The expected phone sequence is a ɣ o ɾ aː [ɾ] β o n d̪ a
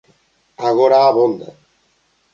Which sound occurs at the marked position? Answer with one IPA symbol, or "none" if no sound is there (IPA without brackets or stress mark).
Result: none